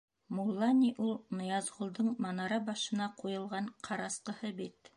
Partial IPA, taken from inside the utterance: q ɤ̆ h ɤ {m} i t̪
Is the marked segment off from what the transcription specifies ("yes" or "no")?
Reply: yes